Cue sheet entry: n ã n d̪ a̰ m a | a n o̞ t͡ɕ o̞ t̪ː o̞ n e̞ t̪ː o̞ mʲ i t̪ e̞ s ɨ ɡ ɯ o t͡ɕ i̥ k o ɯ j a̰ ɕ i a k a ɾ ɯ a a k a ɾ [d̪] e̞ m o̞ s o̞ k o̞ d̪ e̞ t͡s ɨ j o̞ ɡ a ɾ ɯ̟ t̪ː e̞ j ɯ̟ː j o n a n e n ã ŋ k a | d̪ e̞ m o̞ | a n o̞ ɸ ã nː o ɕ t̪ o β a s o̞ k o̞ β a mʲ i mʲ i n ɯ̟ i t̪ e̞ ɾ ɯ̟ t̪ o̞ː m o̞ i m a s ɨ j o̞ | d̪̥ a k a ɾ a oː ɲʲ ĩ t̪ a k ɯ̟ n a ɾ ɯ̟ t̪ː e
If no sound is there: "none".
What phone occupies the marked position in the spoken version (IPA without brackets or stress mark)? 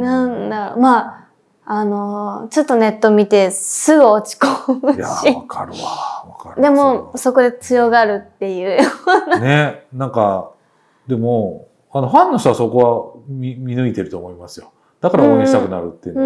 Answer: d̪